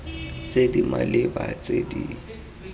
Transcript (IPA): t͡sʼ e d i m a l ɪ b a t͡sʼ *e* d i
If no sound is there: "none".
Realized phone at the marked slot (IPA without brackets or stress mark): e